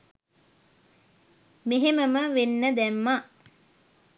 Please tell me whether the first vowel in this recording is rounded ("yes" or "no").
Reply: no